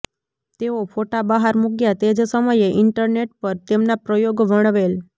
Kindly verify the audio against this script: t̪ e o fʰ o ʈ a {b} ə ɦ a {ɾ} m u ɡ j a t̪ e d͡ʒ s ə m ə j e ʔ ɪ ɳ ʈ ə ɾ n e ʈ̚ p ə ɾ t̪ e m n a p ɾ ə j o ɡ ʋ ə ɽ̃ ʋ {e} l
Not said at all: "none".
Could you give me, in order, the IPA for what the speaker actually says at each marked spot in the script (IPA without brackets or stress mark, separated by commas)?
b, ɾ, e